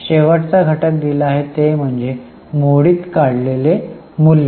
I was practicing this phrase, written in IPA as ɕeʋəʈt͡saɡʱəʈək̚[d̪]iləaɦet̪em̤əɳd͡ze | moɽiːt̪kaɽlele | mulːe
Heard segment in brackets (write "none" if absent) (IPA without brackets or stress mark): d̪